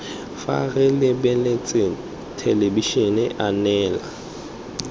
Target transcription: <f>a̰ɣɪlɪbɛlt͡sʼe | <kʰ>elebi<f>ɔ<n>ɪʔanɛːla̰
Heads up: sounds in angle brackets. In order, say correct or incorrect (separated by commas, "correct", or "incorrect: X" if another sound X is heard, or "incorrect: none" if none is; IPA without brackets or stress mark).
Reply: correct, incorrect: tʰ, incorrect: ʃ, correct